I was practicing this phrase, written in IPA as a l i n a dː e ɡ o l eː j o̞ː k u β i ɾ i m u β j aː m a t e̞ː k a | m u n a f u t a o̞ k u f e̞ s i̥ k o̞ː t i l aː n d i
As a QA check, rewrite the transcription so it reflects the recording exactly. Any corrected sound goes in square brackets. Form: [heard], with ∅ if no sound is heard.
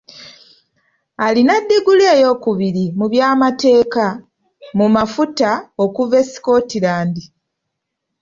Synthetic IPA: a l i n a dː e ɡ [u] l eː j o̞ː k u β i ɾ i m u β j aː m a t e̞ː k a | m u [m] a f u t a o̞ k u [v] e̞ s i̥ k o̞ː t i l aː n d i